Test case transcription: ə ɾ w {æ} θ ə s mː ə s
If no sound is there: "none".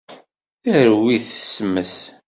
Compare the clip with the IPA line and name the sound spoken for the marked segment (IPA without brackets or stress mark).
i